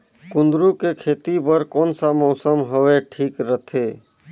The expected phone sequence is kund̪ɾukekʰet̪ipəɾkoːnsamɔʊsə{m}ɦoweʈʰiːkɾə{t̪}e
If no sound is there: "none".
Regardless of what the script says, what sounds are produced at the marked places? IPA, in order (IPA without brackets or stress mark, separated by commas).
m, t̪ʰ